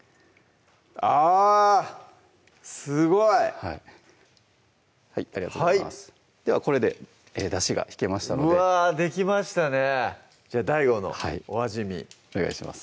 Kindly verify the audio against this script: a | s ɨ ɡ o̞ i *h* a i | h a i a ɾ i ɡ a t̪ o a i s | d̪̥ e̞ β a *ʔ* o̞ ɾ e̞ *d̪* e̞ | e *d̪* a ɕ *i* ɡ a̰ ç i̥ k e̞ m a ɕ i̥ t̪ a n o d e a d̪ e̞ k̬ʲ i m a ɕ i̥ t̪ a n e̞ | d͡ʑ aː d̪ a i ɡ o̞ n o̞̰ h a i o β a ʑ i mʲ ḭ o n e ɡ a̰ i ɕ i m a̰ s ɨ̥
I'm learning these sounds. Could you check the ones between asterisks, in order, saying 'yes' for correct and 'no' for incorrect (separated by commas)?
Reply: yes, no, yes, yes, yes